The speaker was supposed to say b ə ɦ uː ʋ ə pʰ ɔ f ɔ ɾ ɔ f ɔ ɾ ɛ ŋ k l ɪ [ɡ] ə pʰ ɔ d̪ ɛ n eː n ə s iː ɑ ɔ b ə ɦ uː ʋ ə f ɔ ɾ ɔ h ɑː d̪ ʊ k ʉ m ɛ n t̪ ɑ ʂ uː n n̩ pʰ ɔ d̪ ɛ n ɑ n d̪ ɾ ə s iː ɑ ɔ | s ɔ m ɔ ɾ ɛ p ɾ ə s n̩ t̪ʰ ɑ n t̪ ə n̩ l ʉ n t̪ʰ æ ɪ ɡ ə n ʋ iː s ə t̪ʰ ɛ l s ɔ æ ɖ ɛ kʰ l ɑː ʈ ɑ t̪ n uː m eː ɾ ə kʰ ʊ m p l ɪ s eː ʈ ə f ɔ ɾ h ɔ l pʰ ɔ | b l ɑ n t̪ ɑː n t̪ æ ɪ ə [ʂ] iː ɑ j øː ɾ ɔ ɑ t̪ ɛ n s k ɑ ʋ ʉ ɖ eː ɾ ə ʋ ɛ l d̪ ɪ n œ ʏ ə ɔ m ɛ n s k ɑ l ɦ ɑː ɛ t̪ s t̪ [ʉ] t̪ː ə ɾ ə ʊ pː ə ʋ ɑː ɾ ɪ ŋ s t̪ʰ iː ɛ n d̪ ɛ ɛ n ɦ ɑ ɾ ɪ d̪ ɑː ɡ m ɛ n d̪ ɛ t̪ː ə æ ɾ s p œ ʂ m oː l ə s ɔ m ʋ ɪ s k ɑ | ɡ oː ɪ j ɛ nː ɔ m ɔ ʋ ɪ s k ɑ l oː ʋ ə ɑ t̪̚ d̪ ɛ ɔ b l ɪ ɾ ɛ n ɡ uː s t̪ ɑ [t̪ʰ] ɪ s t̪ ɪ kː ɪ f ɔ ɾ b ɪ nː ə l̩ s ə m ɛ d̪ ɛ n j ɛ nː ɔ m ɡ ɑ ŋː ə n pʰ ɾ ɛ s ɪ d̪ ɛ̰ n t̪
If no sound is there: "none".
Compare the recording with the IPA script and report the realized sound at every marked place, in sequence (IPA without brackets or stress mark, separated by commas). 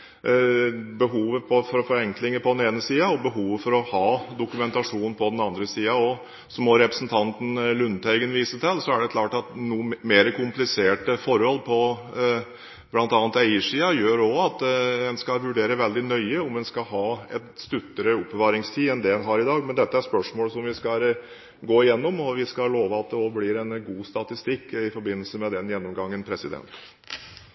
ŋ, ʂ, ʉ, t̪